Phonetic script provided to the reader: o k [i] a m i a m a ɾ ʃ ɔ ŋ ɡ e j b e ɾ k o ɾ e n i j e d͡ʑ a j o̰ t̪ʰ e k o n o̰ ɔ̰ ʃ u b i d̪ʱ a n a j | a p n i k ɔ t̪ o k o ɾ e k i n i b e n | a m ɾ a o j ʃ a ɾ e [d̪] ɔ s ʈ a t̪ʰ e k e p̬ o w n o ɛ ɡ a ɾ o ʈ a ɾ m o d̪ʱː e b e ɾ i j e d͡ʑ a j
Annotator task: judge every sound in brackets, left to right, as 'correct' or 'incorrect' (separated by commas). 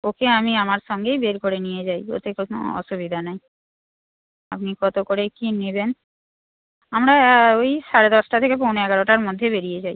incorrect, correct